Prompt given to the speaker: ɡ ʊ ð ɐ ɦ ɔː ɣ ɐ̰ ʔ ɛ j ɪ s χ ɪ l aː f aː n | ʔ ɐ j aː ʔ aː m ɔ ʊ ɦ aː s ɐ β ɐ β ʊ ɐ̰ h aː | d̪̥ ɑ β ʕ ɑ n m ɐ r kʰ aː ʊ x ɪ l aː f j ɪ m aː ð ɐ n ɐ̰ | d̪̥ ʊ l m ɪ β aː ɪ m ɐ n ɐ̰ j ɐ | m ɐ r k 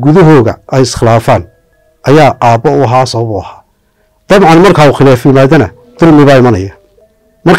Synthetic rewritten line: ɡ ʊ ð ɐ ɦ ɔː ɣ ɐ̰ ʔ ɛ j ɪ s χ ɪ l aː f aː n | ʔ ɐ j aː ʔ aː b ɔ ʊ ɦ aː s ɐ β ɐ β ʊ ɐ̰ h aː | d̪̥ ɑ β ʕ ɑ n m ɐ r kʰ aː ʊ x ɪ l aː f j ɪ m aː ð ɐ n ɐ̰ | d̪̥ ʊ l m ɪ β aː ɪ m ɐ n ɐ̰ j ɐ | m ɐ r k